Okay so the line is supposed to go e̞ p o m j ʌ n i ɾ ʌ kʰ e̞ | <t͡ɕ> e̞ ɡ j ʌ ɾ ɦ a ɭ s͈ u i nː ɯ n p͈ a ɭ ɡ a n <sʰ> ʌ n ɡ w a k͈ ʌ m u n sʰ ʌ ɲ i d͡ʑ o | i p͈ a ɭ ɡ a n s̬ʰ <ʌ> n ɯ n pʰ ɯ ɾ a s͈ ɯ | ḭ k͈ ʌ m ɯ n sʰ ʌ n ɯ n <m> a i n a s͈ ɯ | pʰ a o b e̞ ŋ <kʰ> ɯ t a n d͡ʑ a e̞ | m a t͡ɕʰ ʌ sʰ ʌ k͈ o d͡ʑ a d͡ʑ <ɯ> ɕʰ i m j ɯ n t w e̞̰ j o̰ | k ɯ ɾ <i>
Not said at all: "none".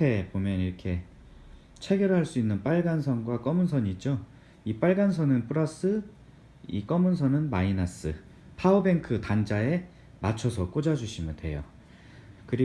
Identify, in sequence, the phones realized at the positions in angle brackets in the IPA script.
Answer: t͡ɕʰ, sʰ, ʌ, m, kʰ, u, i

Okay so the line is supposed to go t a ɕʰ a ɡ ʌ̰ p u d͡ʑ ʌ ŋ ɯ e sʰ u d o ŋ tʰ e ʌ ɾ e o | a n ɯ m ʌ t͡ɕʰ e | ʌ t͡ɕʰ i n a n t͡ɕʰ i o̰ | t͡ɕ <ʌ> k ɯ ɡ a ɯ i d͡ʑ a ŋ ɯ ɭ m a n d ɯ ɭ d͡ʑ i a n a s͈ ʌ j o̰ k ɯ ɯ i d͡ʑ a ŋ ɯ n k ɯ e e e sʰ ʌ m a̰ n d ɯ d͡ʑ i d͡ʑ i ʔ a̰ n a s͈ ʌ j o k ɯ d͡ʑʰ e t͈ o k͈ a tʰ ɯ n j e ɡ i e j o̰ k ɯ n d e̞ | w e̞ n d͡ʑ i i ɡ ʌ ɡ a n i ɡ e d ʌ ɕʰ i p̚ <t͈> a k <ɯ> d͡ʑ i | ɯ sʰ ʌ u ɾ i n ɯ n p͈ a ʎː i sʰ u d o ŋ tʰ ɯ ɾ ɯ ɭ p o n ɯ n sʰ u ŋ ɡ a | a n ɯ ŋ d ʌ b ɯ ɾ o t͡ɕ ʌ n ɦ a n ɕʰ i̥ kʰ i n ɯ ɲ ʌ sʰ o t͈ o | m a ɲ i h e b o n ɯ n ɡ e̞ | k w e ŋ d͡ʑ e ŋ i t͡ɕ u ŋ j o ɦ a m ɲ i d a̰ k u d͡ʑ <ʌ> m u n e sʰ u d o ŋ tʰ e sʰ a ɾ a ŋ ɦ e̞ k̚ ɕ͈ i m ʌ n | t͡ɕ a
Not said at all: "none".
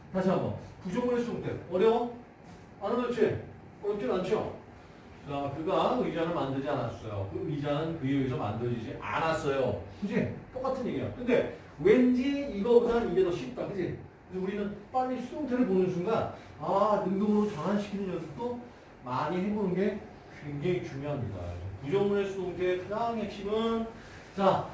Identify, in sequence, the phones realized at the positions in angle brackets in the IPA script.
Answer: a, t͈, ɯ, ʌ

